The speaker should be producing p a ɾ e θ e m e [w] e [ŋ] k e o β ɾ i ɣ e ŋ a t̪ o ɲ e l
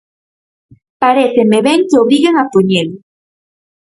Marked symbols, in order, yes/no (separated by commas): no, yes